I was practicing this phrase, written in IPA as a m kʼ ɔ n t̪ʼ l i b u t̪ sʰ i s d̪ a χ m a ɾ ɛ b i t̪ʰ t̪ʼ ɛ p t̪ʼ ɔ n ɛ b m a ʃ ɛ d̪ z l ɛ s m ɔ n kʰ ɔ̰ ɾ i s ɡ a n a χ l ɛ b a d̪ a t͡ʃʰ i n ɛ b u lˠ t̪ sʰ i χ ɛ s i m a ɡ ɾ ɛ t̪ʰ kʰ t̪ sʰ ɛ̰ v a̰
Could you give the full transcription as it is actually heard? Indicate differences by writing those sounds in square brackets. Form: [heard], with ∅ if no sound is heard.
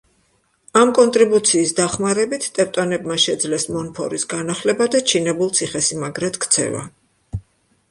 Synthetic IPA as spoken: a m kʼ ɔ n t̪ʼ [ɾ] i b u t̪ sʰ [iː] s d̪ a χ m a ɾ ɛ b i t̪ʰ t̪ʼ ɛ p t̪ʼ ɔ n ɛ b m a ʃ ɛ d̪ z l ɛ s m ɔ n [pʰ] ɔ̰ ɾ i s ɡ a n a χ l ɛ b a d̪ a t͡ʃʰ i n ɛ b u lˠ t̪ sʰ i χ ɛ s i m a ɡ ɾ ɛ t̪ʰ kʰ t̪ sʰ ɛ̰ v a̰